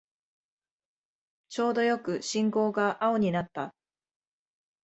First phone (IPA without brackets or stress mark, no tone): t͡ɕ